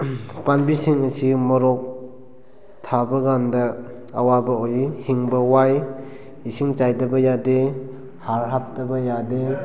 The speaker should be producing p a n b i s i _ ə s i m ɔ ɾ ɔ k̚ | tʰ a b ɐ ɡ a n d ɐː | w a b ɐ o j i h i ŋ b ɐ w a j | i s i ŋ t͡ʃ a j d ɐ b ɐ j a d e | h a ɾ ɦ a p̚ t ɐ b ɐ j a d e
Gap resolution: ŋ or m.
ŋ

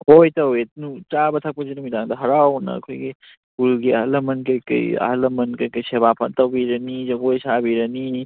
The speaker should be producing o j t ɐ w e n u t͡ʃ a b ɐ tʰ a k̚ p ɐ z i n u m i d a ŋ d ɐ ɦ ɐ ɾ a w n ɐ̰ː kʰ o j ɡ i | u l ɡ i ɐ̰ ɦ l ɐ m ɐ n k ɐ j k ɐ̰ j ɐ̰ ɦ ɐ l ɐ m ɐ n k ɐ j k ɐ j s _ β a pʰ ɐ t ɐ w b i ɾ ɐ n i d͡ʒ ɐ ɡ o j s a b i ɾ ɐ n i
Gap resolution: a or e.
e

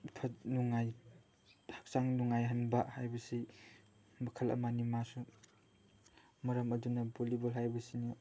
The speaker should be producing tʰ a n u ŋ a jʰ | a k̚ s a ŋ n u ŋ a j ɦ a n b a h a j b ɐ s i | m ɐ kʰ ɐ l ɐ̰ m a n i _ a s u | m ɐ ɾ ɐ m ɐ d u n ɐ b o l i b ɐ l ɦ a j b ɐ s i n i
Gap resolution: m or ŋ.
m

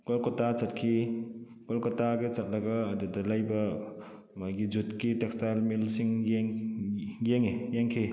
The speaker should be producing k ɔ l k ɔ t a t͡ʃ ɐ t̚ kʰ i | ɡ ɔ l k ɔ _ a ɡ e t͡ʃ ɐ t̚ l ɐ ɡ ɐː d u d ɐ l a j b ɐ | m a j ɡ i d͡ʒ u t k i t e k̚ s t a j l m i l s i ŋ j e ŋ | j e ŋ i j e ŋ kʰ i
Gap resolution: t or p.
t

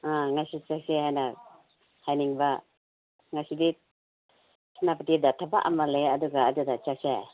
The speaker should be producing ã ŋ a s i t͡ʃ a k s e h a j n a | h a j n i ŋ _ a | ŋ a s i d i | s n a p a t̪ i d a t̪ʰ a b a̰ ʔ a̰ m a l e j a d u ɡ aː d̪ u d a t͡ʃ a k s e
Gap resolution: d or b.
b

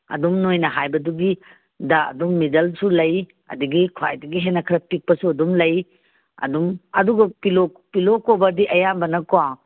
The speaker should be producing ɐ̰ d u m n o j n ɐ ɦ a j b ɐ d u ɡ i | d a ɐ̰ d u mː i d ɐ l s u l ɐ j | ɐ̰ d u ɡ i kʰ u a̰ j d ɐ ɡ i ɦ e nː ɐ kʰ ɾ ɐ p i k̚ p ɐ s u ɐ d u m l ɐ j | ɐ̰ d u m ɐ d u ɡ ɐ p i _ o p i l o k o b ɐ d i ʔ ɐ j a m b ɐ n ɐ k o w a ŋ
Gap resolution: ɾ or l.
l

